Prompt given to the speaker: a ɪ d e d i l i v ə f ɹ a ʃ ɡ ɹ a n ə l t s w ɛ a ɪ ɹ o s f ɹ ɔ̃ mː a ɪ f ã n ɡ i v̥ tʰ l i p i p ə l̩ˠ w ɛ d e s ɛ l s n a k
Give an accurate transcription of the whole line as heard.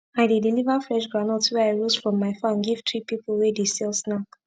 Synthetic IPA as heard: a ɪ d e d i l i v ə f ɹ ɛ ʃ ɡ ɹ a n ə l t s w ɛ a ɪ ɹ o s f ɹ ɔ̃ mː a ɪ f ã n ɡ i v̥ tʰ ɹ i p i p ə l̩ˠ w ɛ d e s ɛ l s n a k